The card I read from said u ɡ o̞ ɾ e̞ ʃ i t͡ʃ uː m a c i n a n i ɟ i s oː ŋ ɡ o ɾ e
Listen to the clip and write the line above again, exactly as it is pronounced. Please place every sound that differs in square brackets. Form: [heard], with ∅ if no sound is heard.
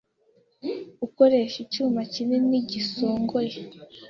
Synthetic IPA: u [k] o̞ ɾ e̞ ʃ i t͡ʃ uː m a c i n [e] n i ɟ i s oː ŋ ɡ o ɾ e